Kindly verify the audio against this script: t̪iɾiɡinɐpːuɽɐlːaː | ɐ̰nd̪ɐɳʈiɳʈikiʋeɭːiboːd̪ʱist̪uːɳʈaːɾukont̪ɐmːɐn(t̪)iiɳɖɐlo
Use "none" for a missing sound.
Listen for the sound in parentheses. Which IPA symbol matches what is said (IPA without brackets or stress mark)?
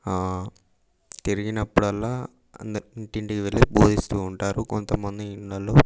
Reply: d̪